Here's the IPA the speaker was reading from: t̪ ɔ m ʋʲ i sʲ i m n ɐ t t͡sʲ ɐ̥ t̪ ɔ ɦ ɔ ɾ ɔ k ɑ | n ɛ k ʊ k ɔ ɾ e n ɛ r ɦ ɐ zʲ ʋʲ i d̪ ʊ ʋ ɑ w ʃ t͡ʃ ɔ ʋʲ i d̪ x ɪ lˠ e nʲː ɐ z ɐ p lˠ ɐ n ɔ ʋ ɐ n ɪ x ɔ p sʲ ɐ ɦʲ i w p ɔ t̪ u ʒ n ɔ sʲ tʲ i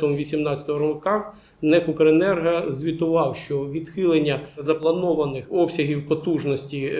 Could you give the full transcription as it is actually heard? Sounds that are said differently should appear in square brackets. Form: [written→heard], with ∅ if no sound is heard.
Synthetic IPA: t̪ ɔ m ʋʲ i sʲ i m n [ɐ→ɑ] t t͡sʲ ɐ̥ t̪ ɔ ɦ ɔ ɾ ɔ k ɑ | n ɛ k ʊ k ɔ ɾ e n ɛ r ɦ ɐ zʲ ʋʲ i [d̪→t̪] ʊ ʋ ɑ w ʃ t͡ʃ ɔ ʋʲ i d̪ x ɪ lˠ e nʲː ɐ z ɐ p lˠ ɐ n ɔ ʋ ɐ n ɪ x ɔ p sʲ ɐ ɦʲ i w p ɔ t̪ u ʒ n ɔ sʲ tʲ i